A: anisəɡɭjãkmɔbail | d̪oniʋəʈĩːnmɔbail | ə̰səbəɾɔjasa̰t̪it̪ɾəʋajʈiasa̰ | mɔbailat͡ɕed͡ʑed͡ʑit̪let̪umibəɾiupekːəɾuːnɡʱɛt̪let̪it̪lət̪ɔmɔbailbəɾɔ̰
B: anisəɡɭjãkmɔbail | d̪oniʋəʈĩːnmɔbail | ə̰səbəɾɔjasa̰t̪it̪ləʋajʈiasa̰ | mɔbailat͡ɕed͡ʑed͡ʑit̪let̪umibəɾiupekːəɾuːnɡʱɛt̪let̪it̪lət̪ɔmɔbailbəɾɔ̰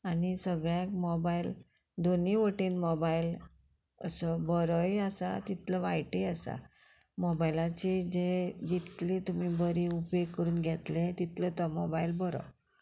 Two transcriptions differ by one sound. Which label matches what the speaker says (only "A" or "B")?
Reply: B